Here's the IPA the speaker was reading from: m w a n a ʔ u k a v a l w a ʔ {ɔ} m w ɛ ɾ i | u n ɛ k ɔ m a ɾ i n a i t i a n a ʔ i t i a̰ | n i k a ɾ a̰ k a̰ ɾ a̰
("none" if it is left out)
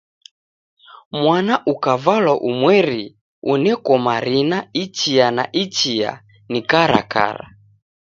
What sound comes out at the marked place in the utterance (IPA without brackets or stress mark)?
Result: u